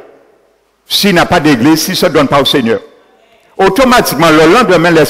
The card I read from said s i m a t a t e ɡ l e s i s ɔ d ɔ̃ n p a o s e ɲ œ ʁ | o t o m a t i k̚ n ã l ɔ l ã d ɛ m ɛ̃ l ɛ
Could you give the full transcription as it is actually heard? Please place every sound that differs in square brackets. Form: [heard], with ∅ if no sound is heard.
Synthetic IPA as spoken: s i [n] a [p] a [d] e ɡ l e s i s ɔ d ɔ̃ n p a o s e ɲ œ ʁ | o t o m a t i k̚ [m] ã l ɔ l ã d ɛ m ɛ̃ l ɛ